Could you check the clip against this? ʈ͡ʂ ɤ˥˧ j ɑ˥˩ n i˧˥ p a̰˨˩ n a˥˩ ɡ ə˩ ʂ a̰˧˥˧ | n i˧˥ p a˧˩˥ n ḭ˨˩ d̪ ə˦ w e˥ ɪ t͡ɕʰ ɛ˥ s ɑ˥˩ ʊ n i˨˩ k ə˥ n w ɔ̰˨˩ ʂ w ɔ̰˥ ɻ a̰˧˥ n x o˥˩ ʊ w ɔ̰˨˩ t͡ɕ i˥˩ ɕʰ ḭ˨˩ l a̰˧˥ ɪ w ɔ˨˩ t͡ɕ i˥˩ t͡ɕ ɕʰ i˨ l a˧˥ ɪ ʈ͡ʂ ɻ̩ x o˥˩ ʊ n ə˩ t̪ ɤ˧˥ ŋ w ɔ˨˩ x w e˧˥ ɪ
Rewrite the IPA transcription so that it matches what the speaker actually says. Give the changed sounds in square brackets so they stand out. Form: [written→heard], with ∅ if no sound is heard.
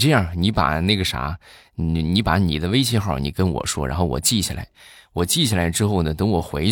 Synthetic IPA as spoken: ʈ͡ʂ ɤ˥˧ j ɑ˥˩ n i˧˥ p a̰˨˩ n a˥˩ ɡ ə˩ ʂ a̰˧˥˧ | n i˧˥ p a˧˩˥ n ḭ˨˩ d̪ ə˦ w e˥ ɪ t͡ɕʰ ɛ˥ [s→x] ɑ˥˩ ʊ n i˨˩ k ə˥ n w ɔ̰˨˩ ʂ w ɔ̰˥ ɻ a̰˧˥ n x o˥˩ ʊ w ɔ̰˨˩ t͡ɕ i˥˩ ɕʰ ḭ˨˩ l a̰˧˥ ɪ w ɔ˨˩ t͡ɕ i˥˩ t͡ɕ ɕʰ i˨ l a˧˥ ɪ ʈ͡ʂ ɻ̩ x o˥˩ ʊ n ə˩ t̪ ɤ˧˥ ŋ w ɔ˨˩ x w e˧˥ ɪ